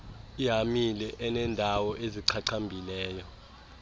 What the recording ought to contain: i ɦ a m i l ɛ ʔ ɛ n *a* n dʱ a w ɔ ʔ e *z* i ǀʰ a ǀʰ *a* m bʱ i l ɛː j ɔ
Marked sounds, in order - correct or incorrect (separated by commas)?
incorrect, correct, correct